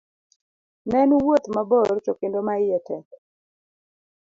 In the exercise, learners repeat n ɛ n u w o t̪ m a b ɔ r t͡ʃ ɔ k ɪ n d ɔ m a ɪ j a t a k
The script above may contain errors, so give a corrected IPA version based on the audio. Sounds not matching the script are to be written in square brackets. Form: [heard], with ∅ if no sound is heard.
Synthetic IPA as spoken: n ɛ n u w o t̪ m a b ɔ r t͡ʃ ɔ k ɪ n d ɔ m a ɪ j [ɛ] t [ɛ] k